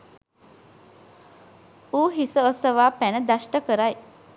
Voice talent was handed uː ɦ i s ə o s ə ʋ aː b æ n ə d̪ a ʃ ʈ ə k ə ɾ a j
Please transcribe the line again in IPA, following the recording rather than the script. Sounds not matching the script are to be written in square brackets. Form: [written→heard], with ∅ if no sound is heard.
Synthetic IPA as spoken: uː ɦ i s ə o s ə ʋ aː [b→p] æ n ə d̪ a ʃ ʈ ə k ə ɾ a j

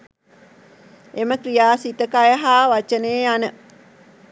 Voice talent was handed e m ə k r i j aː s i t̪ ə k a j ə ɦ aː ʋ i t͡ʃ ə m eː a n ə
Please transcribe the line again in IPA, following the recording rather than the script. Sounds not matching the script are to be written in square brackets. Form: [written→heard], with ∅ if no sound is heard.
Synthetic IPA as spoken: e m ə k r i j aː s i t̪ ə k a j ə ɦ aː ʋ [i→a] t͡ʃ ə [m→n] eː a n ə

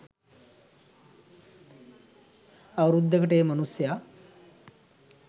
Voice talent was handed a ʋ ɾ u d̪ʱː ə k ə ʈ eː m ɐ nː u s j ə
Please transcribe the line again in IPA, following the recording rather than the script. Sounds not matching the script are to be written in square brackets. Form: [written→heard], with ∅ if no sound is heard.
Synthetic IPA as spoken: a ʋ ɾ u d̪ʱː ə k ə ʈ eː m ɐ [nː→n] u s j [ə→a]

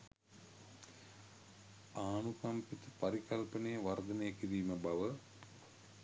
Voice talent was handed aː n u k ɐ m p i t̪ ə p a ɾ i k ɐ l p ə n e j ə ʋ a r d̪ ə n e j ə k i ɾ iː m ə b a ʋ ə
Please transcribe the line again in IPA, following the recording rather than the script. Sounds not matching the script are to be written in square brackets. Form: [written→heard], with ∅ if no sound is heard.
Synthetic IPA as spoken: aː n u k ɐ m p i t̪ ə p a ɾ i k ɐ l p ə n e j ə ʋ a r d̪ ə n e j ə k i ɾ iː m ə b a ʋ ə

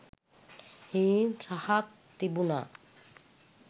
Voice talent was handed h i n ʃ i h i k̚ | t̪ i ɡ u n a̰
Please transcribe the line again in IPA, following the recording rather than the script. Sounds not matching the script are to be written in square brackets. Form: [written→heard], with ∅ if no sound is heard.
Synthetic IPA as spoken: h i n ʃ [i→a] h [i→a] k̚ | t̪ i [ɡ→b] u n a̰

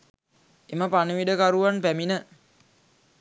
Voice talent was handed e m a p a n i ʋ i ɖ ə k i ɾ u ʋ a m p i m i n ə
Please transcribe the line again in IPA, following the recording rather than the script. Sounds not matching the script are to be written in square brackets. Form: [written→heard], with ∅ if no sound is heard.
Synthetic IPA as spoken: e m [a→ə] p a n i ʋ i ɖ ə k [i→a] ɾ u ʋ a [m→n] p [i→æ] m i n ə

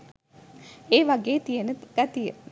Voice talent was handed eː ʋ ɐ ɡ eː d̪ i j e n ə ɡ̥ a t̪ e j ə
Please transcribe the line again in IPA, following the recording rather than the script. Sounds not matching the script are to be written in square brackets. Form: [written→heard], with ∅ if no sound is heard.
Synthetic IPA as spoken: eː ʋ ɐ ɡ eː [d̪→t̪] i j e n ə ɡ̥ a t̪ [e→i] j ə

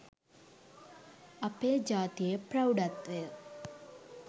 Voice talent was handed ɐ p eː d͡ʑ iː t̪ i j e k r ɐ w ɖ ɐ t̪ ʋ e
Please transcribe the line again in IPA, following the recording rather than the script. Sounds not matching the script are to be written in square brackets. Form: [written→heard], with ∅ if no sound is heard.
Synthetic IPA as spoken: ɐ p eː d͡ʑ [iː→aː] t̪ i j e [k→p] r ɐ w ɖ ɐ t̪ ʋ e

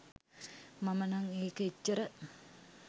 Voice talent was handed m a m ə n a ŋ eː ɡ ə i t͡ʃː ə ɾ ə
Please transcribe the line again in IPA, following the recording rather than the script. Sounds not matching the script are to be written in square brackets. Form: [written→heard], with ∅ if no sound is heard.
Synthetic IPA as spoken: m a m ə n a ŋ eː [ɡ→k] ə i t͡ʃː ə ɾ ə

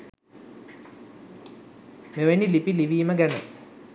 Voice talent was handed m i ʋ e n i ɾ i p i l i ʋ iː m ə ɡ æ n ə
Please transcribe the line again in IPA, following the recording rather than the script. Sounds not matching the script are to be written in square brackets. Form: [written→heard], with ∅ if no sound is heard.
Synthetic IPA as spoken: m [i→e] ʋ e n i [ɾ→l] i p i l i ʋ iː m ə ɡ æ n ə

